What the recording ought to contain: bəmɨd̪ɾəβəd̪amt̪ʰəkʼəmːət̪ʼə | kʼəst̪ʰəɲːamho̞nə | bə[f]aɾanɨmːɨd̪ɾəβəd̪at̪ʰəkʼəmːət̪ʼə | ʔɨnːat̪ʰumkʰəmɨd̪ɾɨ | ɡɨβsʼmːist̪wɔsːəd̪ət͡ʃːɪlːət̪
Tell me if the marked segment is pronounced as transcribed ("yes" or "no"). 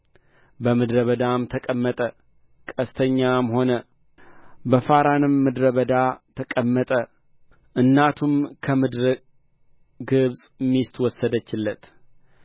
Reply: yes